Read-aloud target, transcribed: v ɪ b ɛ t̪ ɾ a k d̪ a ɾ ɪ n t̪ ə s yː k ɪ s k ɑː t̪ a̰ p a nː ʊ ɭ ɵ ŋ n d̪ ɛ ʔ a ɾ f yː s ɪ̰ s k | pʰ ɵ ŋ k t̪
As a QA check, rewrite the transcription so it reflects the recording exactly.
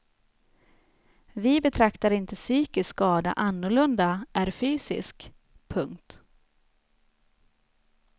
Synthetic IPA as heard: v ɪ b ɛ t̪ʰ ɾ a k t̪ a ɾ ɪ n t̪ ə s yː k ɪ s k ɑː d̪ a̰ ʔ a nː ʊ ɭ ɵ n d̪ a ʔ æ ɾ f yː s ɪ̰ s k | pʰ ɵ ŋ k t̪